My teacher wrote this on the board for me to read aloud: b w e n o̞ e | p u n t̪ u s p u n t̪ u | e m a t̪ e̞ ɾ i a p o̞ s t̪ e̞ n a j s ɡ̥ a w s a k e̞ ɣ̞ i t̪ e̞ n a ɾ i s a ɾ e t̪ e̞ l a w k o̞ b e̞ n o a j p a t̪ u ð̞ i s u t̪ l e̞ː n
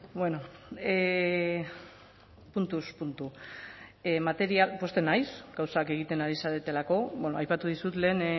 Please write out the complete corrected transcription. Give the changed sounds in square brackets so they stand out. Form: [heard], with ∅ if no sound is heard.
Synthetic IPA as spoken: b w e n o̞ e | p u n t̪ u s p u n t̪ u | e m a t̪ e̞ ɾ i a p o̞ s t̪ e̞ n a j s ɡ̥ a w s a k e̞ ɣ̞ i t̪ e̞ n a ɾ i s a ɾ e t̪ e̞ l a [∅] k o̞ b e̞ n o a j p a t̪ u ð̞ i s u t̪ l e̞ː n